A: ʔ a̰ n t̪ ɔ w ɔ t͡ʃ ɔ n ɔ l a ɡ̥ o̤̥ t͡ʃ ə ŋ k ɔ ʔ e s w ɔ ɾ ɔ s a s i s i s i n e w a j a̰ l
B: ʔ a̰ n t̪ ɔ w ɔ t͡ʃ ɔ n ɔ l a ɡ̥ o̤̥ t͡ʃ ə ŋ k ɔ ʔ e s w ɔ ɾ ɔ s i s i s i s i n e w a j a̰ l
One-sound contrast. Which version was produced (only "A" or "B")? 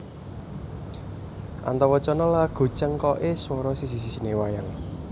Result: B